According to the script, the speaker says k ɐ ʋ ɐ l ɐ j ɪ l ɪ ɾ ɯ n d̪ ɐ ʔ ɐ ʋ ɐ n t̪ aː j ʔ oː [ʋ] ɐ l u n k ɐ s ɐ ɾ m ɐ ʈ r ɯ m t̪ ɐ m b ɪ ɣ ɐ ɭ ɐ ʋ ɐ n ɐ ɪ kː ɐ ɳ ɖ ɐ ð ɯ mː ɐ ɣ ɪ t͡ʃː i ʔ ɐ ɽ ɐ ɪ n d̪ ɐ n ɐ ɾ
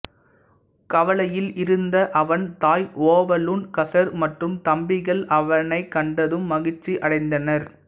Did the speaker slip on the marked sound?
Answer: no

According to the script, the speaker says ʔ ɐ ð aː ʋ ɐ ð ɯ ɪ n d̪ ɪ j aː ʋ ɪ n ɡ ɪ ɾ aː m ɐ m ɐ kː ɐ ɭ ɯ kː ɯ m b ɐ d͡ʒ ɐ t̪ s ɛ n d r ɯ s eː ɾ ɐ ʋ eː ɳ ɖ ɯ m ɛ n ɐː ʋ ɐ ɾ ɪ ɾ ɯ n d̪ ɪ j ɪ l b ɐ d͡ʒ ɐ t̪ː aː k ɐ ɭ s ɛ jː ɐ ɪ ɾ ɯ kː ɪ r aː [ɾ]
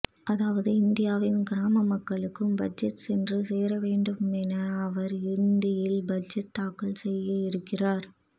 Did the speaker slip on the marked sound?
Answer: no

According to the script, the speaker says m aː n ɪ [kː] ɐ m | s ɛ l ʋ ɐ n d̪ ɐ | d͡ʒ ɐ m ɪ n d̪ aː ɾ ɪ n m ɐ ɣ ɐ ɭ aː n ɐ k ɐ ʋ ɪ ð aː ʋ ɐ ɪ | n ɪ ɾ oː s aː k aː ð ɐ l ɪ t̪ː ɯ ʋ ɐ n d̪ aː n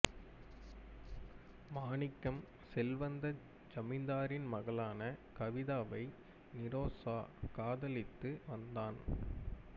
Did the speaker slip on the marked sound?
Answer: no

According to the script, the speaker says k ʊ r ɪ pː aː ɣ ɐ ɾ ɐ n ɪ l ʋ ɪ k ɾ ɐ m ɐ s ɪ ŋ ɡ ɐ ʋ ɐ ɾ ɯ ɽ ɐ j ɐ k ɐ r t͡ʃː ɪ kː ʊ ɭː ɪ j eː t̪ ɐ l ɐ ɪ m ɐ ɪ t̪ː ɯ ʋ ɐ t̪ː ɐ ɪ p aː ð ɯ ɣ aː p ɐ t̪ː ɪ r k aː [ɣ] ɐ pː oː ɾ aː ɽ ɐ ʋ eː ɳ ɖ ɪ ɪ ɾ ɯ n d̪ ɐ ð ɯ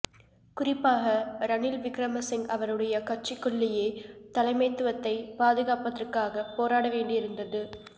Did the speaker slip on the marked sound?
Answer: no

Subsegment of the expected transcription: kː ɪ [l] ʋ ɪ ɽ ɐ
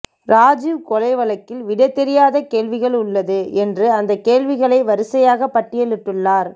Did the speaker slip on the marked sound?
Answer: no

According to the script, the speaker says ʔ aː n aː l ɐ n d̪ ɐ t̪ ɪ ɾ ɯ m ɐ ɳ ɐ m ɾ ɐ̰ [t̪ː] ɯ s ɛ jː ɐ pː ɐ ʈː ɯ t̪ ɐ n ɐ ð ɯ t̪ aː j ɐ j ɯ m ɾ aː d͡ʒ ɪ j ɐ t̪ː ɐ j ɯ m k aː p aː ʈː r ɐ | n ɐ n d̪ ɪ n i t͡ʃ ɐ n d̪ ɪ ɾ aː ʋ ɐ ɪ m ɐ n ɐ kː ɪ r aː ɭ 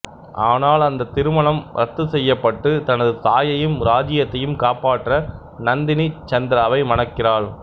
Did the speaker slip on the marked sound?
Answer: no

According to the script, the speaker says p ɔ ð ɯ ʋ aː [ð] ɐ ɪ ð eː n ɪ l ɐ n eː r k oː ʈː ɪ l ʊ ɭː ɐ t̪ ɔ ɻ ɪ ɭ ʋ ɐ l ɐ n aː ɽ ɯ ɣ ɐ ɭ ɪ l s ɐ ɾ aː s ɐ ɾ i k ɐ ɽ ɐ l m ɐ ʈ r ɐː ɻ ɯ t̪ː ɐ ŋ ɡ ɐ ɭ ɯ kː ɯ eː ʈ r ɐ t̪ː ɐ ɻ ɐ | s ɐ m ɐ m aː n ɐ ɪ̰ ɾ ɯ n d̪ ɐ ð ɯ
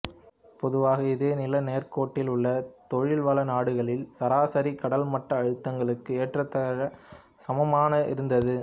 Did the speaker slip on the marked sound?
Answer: yes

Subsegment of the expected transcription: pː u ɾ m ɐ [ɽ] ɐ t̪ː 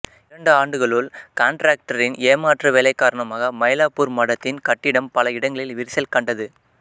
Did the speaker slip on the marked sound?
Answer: no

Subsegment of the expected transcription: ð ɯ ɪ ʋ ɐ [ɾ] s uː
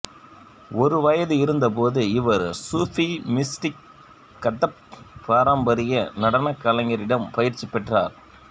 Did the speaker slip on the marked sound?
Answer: no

